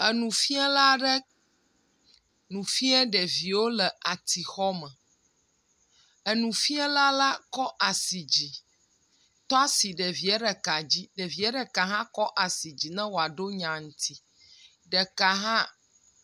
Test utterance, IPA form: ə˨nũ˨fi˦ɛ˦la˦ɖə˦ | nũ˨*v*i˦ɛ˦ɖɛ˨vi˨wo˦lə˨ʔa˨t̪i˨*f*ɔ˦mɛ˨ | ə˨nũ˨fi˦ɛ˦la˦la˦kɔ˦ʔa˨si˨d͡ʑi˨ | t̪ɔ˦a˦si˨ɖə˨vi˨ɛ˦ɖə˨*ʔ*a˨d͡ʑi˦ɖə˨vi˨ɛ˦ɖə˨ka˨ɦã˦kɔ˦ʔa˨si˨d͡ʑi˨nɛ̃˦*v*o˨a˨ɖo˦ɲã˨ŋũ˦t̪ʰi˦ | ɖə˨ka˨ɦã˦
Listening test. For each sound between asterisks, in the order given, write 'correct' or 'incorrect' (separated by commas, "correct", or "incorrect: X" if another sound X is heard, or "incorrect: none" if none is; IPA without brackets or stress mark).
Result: incorrect: f, incorrect: x, incorrect: k, incorrect: w